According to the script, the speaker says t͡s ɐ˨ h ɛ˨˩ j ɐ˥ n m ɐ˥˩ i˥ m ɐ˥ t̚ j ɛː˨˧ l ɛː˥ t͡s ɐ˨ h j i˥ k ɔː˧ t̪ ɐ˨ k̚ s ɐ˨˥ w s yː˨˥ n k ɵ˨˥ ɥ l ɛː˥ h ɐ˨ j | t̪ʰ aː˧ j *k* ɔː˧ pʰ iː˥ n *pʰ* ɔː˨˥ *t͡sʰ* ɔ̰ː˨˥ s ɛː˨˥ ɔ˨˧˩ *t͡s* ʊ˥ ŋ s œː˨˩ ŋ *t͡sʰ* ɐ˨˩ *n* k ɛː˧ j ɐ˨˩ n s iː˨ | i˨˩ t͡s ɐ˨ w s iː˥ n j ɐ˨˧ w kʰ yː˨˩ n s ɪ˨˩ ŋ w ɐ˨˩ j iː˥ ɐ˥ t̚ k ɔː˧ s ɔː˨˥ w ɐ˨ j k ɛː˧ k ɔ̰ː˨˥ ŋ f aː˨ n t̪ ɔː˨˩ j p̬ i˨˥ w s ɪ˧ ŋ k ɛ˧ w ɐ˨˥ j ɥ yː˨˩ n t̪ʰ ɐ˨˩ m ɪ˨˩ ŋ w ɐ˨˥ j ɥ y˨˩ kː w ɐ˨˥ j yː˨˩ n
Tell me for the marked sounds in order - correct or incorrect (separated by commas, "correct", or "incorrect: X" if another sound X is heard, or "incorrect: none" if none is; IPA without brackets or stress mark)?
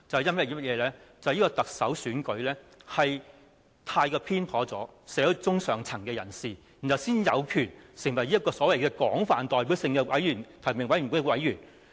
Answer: correct, correct, incorrect: t͡s, correct, correct, incorrect: ŋ